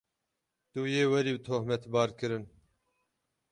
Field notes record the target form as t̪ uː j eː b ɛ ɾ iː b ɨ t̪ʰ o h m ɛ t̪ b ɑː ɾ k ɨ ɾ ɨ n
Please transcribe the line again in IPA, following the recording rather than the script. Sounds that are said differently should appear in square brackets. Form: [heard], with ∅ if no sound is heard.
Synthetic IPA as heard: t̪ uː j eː [w] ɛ ɾ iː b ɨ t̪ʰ o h m ɛ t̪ b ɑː ɾ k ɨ ɾ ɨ n